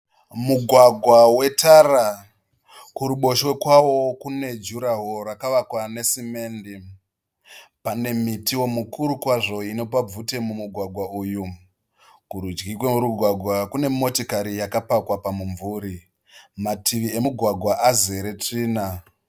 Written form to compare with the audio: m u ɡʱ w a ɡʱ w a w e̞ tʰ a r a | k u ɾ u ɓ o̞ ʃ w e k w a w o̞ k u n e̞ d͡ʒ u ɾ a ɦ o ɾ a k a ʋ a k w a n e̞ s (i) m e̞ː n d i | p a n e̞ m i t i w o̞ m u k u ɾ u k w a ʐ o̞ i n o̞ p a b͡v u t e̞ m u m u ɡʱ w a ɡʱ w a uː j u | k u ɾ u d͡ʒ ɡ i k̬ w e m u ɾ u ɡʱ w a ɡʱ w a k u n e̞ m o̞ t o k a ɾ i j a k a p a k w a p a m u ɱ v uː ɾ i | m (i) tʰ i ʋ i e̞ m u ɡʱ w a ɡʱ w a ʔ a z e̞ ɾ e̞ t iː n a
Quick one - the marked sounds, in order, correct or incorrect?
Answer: correct, incorrect: a

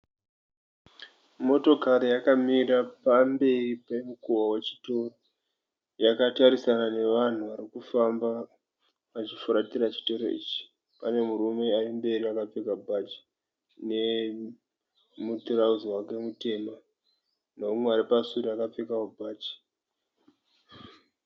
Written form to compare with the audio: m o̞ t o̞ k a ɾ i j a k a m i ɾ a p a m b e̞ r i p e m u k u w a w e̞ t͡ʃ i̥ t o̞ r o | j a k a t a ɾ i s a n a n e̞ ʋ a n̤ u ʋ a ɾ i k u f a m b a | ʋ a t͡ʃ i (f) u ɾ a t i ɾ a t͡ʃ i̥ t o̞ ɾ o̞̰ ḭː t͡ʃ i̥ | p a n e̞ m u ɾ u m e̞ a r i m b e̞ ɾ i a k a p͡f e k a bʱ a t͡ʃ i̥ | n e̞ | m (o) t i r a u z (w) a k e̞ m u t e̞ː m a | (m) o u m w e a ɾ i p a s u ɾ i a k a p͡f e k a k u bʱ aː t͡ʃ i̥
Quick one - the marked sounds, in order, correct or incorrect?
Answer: correct, incorrect: u, correct, incorrect: n

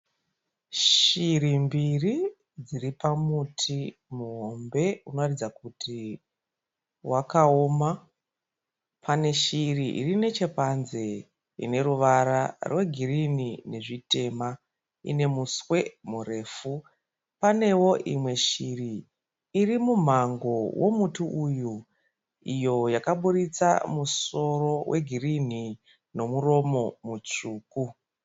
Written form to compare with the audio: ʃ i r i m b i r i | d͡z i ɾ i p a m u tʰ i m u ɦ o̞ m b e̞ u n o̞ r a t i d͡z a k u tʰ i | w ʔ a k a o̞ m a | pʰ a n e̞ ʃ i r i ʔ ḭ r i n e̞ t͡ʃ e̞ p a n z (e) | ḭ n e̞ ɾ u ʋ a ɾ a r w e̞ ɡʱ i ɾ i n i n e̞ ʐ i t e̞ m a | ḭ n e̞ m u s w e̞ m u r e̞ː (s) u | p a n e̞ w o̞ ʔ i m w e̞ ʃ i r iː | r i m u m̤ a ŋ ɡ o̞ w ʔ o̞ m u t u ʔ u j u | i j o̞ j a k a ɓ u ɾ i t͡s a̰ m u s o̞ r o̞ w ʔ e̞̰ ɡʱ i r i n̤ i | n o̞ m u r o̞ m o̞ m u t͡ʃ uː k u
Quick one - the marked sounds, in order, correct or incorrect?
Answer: correct, incorrect: f

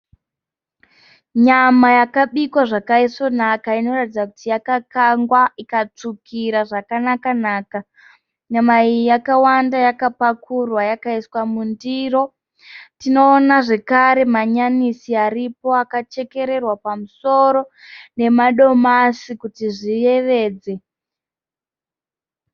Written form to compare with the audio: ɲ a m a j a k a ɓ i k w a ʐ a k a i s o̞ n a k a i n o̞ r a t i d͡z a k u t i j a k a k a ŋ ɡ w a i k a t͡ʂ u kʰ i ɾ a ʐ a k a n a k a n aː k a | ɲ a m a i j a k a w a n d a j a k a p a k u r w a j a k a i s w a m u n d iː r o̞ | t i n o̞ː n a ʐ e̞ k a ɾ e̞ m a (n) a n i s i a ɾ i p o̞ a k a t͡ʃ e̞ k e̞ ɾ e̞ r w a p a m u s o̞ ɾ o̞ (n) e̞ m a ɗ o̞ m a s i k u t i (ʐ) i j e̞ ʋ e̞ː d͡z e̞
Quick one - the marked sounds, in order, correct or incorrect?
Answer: incorrect: ɲ, correct, correct

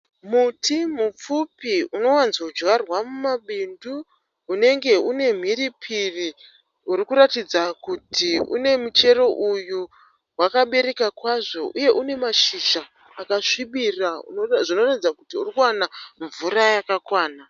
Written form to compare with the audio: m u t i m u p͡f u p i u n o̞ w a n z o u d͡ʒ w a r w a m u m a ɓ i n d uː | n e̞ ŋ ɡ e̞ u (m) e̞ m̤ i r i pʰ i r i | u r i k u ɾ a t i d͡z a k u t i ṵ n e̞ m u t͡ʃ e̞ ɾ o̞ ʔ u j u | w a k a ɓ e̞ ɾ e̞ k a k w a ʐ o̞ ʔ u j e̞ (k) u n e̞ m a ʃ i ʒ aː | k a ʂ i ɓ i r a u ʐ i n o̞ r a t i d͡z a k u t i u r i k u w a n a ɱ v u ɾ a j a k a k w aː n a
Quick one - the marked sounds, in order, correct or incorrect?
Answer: incorrect: n, incorrect: ʔ

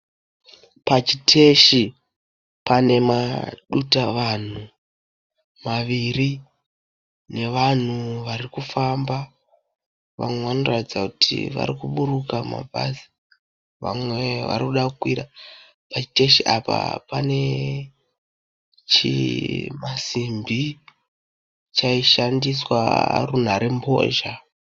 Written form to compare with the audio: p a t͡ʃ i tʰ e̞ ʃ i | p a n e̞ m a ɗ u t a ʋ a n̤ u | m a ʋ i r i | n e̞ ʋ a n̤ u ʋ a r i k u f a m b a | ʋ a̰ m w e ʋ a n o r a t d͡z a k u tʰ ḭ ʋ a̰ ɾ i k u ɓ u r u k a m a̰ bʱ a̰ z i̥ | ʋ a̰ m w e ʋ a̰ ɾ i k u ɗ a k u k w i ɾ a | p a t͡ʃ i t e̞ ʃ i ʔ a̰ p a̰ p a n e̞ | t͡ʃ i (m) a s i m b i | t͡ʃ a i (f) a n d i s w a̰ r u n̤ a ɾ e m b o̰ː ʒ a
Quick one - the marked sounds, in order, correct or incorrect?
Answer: correct, incorrect: ʃ

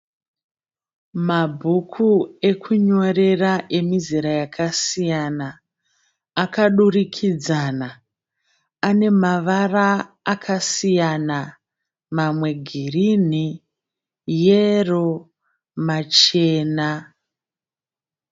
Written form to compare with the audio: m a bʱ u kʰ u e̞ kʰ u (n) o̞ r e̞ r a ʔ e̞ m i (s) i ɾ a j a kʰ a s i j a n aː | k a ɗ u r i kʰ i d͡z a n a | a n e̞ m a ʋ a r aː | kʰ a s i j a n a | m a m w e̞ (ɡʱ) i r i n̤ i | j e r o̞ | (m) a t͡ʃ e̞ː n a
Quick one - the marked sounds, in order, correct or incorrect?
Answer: incorrect: ɲ, incorrect: z, correct, correct

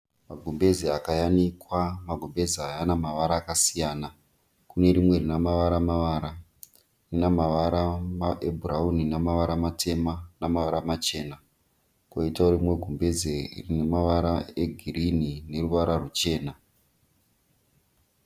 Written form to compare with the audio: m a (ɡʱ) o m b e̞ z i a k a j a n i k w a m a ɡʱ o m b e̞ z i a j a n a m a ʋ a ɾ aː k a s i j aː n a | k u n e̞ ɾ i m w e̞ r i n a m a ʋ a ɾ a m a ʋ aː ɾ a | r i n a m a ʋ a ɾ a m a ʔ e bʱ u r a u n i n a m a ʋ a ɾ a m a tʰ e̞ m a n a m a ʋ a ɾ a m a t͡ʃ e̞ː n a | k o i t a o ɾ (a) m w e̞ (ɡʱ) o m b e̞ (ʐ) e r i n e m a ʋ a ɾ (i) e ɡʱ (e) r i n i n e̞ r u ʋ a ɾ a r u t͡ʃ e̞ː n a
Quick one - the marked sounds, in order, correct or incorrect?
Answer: correct, incorrect: i, correct, incorrect: z, incorrect: a, incorrect: i

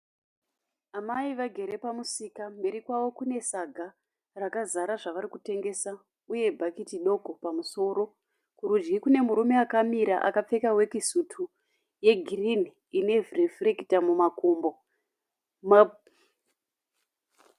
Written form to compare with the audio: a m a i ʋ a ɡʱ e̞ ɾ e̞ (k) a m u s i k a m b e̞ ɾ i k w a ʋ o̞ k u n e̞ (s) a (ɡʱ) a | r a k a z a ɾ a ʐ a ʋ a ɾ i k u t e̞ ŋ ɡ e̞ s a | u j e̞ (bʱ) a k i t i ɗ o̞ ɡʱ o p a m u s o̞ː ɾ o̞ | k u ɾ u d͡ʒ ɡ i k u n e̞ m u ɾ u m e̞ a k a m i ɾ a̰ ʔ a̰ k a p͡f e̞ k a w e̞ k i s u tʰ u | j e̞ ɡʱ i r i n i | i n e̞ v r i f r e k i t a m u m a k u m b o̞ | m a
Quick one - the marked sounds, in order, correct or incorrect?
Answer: incorrect: p, correct, correct, correct

